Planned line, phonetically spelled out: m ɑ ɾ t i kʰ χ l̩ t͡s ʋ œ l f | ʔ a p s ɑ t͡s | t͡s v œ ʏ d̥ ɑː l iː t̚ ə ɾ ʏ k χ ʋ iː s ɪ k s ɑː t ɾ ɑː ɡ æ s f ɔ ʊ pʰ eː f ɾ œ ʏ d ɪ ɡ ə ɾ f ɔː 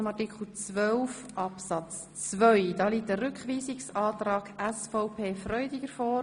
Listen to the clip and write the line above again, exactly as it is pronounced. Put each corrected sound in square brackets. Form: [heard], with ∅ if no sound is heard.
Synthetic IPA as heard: m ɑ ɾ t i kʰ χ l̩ t͡s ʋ œ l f | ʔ [ɑ] p s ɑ t͡s | t͡s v œ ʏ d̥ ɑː l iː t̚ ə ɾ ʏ k χ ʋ iː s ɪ k s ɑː t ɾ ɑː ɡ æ s f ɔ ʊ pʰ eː f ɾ œ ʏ d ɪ ɡ ə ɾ f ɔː